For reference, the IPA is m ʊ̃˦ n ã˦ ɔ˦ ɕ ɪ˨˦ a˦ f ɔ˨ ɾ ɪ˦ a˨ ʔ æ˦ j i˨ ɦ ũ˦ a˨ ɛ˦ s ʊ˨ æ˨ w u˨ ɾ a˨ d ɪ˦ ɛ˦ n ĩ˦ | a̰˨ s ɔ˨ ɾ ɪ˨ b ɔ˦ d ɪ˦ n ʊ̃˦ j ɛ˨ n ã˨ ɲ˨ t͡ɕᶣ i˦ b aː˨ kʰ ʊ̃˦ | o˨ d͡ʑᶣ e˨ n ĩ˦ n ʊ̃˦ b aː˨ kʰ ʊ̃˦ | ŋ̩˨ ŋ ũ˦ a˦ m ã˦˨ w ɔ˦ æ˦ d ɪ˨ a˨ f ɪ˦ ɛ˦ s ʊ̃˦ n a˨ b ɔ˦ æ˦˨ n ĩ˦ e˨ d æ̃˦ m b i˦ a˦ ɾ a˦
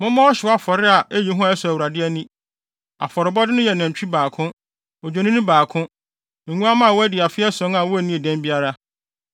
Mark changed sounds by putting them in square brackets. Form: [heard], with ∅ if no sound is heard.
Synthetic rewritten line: m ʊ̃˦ [m] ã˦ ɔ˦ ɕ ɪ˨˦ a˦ f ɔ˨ ɾ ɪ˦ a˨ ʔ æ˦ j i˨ ɦ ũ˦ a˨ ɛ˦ s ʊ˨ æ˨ w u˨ ɾ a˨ d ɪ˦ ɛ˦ n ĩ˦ | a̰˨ [f] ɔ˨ ɾ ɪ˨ b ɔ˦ d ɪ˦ n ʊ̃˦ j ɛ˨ n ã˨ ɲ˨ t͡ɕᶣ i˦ b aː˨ kʰ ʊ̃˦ | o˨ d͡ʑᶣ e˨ n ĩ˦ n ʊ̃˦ b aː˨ kʰ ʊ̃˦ | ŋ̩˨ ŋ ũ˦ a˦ m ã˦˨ w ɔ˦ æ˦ d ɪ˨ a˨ f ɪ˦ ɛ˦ s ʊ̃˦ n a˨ [w] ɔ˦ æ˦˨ n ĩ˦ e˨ d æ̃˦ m b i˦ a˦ ɾ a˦